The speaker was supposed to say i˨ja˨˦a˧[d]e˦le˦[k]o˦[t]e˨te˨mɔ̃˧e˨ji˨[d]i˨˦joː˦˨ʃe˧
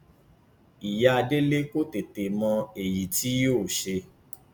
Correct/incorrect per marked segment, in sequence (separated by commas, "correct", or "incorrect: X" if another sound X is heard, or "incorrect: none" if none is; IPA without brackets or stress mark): correct, correct, correct, incorrect: t